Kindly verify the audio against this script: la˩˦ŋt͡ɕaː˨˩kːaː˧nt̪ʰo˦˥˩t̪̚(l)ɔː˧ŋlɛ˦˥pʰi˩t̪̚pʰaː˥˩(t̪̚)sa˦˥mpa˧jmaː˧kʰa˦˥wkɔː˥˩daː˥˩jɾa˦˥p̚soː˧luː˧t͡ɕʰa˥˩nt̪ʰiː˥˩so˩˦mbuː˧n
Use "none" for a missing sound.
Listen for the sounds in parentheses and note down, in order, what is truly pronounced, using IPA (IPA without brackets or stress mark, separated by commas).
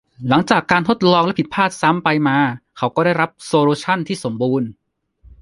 l, t̪̚